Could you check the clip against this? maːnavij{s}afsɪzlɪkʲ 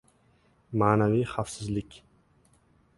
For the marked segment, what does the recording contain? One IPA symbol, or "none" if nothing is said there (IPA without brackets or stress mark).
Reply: χ